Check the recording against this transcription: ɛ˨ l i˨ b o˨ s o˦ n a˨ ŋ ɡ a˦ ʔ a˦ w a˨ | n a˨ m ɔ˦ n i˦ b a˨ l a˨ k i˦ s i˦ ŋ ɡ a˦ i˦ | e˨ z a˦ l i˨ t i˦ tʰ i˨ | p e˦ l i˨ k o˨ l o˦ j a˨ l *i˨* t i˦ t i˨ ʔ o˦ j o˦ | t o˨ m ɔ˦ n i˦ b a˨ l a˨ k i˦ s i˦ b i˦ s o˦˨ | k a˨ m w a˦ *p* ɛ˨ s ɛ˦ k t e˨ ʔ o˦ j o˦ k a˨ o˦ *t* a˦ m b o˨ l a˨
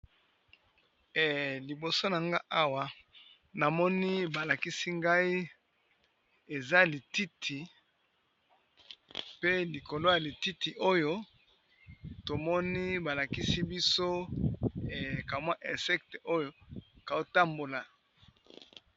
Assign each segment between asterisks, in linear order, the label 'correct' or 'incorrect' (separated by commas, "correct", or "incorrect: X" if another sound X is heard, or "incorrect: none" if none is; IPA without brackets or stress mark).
correct, incorrect: ʔ, correct